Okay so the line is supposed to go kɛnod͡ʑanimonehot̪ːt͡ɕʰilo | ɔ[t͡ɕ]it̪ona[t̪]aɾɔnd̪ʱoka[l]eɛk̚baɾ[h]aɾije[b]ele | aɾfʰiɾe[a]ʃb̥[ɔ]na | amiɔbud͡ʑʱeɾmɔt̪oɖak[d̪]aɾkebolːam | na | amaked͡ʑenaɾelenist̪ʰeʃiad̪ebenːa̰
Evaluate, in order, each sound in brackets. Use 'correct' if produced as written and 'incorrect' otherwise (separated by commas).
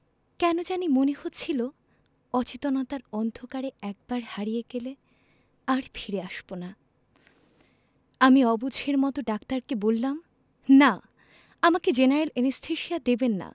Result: correct, correct, incorrect, correct, incorrect, correct, incorrect, incorrect